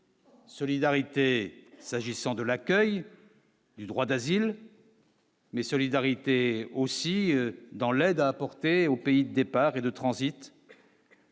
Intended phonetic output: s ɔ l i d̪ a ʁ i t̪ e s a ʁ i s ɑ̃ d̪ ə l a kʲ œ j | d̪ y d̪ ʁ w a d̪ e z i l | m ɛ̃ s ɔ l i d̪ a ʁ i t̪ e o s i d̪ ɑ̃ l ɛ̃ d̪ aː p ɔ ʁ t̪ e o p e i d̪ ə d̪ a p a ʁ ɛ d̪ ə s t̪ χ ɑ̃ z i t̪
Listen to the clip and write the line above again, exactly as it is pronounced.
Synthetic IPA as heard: s ɔ l i d̪ a ʁ i t̪ e s a ʒ i s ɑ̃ d̪ ə l a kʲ œ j | d̪ y d̪ ʁ w a d̪ a z i l | m ɛ s ɔ l i d̪ a ʁ i t̪ e o s i d̪ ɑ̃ l ɛ d̪ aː p ɔ ʁ t̪ e o p e i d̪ ə d̪ e p a ʁ e d̪ ə t̪ χ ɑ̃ z i t̪